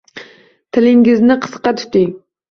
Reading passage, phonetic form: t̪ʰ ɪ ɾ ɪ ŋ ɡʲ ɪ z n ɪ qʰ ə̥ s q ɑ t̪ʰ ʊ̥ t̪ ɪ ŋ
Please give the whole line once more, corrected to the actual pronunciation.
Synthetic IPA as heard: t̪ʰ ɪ l ɪ ŋ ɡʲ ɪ z n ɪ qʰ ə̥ s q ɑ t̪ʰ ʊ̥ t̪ ɪ ŋ